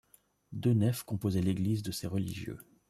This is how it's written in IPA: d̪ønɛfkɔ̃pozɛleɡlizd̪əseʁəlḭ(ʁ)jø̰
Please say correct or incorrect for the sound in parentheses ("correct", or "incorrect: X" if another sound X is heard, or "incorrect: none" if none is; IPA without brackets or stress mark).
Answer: incorrect: ʒ